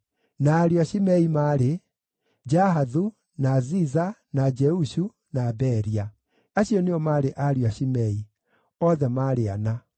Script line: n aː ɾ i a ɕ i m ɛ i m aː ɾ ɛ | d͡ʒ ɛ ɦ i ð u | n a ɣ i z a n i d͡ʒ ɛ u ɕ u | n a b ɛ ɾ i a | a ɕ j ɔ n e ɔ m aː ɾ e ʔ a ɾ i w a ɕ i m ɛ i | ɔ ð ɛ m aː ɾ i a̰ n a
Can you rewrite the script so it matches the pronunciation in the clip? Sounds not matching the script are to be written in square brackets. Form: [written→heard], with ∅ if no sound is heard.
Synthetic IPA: n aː ɾ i a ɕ i m ɛ i m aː ɾ [ɛ→e] | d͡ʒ [ɛ→a] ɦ [i→a] ð u | n a [ɣ→z] i z a n [i→a] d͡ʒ ɛ u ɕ u | n a b ɛ ɾ i a | a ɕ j ɔ n e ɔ m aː ɾ e ʔ a ɾ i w a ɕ i m ɛ i | ɔ ð ɛ m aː ɾ [i→e] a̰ n a